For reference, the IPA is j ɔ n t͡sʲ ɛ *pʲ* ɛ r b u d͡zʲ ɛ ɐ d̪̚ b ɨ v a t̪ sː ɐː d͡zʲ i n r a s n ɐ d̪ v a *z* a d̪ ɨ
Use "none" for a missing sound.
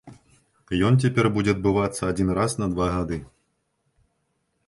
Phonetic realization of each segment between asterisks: pʲ, ɣ

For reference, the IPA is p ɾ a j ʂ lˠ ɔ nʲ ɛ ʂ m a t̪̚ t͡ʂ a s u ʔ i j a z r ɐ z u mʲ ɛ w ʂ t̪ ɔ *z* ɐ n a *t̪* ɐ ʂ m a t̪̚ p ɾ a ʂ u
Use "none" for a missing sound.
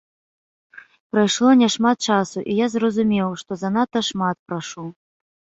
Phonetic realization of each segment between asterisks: z, t̪

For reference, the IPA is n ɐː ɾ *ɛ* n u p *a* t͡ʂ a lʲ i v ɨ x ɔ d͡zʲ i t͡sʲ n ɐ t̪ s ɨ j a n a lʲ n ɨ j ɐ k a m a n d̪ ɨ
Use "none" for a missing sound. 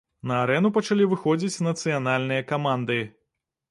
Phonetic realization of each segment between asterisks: ɛ, ɐ

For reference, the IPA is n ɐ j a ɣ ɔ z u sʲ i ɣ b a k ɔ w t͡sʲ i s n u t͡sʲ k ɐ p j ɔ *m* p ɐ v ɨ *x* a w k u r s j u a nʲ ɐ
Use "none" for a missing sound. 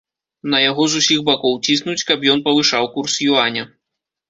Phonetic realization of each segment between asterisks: n, ʂ

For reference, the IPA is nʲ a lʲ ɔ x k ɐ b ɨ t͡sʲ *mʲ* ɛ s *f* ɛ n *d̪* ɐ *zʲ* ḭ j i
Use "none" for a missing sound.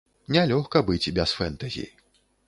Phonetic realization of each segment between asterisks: bʲ, f, t̪, zʲ

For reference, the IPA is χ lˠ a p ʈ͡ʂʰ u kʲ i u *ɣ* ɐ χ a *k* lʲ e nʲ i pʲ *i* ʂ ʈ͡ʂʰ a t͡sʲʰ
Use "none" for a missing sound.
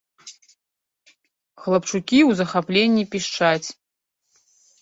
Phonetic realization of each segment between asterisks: z, p, i

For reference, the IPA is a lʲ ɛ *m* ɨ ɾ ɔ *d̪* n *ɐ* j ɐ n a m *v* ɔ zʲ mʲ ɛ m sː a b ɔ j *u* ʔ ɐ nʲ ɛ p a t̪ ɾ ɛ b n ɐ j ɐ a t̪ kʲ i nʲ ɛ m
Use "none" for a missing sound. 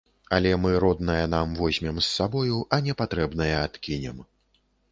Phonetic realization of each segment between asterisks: m, d̪, ɐ, v, u

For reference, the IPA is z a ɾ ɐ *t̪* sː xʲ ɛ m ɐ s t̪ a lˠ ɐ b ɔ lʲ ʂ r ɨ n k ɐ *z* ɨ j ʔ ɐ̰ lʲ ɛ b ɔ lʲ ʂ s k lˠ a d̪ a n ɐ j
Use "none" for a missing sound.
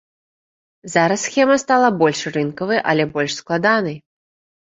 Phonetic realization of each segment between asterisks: none, v

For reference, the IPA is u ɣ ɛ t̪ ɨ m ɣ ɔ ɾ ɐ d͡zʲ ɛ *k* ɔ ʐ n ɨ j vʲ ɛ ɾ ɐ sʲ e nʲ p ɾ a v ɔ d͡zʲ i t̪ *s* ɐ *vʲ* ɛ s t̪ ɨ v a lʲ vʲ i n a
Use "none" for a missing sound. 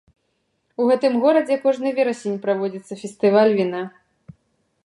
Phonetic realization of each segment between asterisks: k, sː, fʲ

